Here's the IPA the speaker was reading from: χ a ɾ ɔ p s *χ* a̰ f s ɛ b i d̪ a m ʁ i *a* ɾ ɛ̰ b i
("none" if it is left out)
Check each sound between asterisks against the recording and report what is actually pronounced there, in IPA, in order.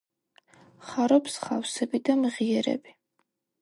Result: χ, ɛ

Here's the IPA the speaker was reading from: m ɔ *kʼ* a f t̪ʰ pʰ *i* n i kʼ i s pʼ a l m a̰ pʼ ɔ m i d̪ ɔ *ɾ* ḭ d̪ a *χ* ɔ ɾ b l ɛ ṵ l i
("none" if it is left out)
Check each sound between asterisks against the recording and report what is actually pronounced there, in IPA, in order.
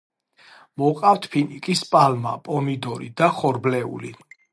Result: qʼ, i, ɾ, χ

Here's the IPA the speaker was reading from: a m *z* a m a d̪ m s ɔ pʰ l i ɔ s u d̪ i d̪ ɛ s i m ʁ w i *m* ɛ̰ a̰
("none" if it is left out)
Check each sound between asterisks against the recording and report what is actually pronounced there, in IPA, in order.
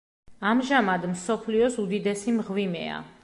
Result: ʒ, m

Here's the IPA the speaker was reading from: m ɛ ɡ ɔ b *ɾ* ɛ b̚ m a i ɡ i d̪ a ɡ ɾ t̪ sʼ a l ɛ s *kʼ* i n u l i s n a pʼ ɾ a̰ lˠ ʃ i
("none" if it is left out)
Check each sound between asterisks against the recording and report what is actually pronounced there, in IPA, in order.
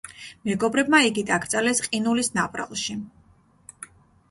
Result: ɾ, qʼ

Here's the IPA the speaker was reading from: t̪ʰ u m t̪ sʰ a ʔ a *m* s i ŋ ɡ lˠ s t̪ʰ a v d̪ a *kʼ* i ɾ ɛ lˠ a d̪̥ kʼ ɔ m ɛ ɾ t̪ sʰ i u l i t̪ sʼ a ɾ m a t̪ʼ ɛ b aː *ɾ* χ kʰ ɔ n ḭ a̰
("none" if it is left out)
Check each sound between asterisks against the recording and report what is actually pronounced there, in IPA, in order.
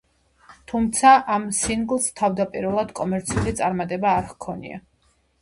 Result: m, pʼ, ɾ

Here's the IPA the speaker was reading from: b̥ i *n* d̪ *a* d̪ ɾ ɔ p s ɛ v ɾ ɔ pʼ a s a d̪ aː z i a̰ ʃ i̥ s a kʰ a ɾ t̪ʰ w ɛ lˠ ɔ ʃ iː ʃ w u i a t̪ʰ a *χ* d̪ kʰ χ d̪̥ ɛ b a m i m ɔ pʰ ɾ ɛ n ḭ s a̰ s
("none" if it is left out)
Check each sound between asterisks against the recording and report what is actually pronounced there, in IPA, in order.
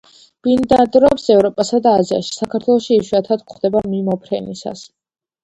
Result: n, a, none

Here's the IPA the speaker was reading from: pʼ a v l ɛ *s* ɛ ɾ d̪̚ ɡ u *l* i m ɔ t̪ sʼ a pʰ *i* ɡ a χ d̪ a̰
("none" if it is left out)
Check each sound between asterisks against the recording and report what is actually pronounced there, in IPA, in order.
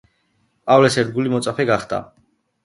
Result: s, l, ɛ

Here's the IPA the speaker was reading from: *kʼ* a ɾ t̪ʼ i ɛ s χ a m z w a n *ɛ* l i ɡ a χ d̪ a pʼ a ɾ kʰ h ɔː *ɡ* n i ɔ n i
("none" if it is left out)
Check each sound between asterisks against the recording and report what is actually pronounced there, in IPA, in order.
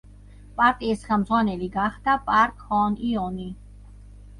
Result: pʼ, ɛ, none

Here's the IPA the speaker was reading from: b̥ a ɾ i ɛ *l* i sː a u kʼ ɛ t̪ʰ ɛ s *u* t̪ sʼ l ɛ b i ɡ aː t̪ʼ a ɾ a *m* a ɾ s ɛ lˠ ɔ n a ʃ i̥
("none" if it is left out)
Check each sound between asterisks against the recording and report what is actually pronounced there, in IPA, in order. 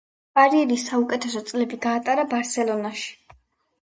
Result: ɾ, ɔ, b

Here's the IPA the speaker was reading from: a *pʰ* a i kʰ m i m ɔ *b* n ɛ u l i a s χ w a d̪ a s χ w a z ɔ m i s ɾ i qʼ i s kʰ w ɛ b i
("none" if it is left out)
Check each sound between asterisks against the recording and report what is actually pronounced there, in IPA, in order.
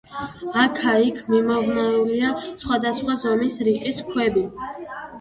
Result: kʰ, v

